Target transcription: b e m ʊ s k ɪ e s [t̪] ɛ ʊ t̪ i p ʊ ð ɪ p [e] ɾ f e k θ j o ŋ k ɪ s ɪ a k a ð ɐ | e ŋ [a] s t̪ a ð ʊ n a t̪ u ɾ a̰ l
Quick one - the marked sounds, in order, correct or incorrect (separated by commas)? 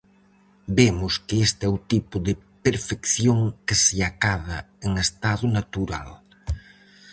correct, correct, incorrect